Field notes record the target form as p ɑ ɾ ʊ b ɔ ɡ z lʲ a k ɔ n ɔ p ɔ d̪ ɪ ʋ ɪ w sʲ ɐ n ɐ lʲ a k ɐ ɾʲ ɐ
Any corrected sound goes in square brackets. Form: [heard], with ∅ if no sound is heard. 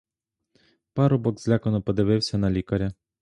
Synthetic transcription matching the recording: p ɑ ɾ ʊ b ɔ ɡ z lʲ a k ɔ n ɔ p ɔ d̪ ɪ ʋ ɪ w sʲ ɐ n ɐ lʲ [i] k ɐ ɾʲ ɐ